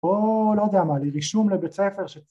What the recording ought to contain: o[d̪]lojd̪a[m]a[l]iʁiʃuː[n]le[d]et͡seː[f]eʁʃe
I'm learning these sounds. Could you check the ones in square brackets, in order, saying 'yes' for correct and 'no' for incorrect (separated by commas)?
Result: no, yes, yes, no, no, yes